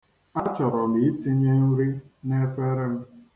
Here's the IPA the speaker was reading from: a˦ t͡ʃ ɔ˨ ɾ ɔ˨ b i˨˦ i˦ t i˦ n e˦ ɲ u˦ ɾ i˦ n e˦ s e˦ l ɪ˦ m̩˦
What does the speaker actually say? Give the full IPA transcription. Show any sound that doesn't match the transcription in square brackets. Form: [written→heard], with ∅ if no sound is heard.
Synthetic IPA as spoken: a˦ t͡ʃ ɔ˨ ɾ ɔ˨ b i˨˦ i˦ t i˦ [n→ɲ] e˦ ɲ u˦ ɾ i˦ n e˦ [s→f] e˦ [l→ɾ] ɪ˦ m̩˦